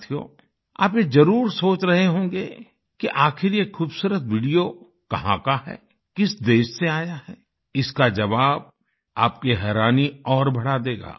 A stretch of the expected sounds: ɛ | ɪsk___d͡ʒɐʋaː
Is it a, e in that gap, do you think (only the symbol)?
a